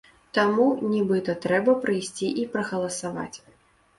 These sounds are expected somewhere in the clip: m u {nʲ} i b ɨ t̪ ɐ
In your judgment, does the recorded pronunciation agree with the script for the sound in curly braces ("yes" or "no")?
yes